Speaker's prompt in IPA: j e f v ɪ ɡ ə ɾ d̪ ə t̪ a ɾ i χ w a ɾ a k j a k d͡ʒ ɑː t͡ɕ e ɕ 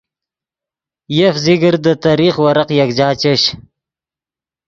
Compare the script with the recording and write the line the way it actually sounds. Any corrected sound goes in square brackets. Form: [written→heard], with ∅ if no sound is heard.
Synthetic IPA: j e f [v→z] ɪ ɡ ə ɾ d̪ ə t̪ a ɾ i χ w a ɾ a [k→q] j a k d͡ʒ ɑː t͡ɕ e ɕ